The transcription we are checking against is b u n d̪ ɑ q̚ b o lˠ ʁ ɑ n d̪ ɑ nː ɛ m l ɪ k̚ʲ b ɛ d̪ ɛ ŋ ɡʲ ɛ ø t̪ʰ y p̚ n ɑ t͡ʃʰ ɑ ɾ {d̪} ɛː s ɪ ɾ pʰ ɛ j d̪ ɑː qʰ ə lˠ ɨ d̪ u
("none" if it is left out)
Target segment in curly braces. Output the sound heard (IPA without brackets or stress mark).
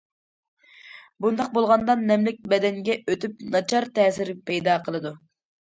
t̪